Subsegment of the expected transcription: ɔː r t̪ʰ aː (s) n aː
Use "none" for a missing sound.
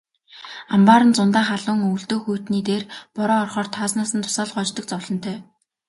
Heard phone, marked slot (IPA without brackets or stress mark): s